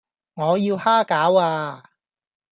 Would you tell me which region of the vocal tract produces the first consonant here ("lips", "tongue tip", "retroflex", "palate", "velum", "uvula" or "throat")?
velum